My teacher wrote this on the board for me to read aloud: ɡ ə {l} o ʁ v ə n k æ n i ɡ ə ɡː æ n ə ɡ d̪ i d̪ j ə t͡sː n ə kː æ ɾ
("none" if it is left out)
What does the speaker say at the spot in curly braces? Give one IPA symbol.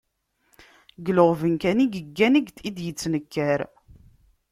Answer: l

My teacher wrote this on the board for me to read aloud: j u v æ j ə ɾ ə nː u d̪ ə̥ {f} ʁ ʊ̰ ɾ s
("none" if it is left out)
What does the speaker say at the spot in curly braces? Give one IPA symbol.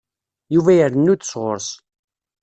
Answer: s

